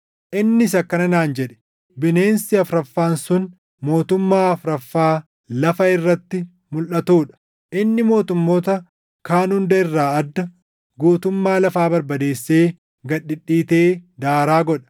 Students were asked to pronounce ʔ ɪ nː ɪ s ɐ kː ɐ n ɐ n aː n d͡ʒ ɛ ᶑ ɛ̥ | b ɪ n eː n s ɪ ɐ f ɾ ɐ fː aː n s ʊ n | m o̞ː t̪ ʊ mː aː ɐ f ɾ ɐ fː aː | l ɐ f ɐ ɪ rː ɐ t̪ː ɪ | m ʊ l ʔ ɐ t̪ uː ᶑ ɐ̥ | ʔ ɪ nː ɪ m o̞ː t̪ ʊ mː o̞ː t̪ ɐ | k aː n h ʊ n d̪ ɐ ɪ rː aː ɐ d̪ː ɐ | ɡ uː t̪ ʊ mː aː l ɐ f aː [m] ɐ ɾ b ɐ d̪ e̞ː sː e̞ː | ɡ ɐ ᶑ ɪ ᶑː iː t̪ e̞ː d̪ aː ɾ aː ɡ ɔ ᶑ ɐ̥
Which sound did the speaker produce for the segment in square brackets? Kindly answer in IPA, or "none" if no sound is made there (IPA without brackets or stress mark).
b